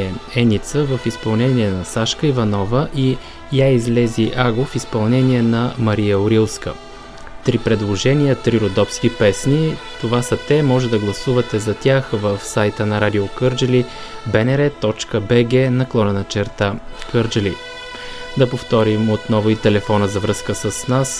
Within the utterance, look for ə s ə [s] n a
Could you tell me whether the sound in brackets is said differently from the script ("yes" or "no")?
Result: no